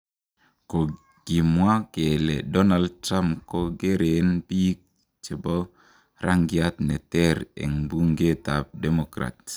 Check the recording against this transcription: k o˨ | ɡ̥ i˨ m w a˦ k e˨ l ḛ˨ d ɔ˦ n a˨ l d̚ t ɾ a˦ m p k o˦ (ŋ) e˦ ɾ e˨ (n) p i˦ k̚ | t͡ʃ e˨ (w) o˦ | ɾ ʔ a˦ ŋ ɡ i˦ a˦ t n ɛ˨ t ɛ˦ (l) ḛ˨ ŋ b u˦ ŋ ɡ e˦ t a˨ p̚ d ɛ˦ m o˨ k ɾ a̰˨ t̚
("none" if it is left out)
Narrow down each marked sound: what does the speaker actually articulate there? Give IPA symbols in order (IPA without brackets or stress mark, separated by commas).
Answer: ɡ, n, b, ɾ